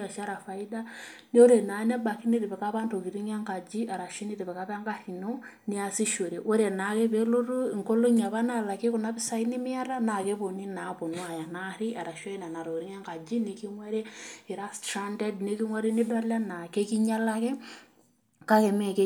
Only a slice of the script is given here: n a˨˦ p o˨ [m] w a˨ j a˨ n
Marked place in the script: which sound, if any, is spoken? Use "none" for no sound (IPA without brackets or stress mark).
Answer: n